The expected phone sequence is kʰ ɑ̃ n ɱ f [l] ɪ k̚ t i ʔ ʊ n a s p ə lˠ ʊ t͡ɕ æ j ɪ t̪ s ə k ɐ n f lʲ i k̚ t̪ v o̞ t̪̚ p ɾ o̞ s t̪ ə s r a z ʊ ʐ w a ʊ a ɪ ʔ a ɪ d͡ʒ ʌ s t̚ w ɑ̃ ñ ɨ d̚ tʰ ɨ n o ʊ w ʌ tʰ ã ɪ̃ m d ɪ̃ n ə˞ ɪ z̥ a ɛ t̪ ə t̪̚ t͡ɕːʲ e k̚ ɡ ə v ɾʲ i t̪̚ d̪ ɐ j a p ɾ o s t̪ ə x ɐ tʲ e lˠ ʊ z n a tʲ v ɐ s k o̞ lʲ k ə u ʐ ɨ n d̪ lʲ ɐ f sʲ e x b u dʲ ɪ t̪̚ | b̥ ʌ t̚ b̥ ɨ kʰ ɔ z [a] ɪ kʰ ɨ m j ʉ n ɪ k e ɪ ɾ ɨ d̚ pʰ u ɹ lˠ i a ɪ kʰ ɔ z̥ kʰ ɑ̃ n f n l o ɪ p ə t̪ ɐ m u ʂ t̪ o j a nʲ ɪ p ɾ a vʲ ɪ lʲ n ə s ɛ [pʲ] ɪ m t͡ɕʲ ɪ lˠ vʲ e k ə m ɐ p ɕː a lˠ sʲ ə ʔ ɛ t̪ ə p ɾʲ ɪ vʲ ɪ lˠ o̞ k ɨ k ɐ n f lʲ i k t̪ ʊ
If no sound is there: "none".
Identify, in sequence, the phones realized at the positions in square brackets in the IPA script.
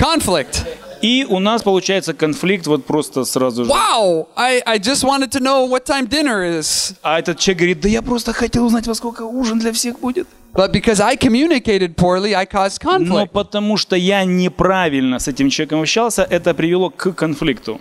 l, a, tʲ

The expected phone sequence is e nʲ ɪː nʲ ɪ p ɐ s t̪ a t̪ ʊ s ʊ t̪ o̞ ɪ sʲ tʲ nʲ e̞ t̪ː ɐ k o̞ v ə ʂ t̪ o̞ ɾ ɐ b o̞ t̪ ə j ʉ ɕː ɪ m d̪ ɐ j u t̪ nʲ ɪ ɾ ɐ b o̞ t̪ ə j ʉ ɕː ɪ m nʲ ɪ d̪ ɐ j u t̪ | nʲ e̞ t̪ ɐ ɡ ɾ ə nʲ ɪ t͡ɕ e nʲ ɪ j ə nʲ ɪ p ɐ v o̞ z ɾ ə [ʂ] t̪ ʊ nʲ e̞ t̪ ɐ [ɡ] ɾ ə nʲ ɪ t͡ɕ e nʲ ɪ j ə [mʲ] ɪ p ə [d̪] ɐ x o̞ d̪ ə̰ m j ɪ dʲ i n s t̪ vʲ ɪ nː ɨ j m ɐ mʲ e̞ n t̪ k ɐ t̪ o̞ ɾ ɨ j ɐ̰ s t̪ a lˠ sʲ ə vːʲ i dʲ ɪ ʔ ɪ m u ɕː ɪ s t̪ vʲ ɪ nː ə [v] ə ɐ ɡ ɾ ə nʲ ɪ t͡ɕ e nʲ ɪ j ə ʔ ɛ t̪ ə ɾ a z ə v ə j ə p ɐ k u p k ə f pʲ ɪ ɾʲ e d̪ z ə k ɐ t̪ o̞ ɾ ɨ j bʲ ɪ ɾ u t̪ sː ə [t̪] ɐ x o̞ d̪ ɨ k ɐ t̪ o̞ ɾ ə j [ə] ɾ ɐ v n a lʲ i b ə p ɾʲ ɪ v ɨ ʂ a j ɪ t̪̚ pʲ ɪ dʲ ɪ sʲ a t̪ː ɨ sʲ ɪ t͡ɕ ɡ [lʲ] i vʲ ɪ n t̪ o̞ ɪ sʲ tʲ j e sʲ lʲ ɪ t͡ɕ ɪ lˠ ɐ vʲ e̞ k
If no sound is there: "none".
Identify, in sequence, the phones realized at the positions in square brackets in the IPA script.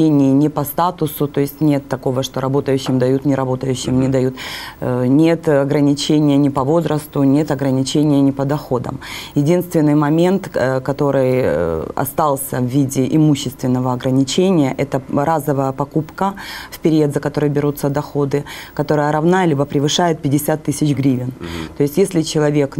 s, ɡ, nʲ, d̪, v, d̪, ə, ɾʲ

